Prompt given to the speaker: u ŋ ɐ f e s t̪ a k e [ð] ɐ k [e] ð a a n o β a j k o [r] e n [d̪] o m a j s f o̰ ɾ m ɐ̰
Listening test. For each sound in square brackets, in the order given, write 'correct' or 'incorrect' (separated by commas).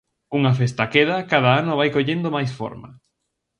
correct, incorrect, incorrect, correct